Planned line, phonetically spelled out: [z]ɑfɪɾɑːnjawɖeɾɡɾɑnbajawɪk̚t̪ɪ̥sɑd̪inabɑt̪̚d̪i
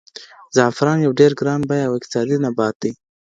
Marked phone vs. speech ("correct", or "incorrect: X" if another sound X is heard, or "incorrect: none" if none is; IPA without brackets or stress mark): correct